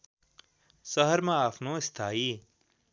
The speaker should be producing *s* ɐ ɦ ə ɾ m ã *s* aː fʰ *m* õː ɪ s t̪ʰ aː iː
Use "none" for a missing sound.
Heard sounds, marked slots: s, none, n

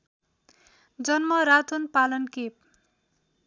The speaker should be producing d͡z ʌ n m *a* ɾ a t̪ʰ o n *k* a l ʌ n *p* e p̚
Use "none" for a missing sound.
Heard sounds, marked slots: ʌ, p, k

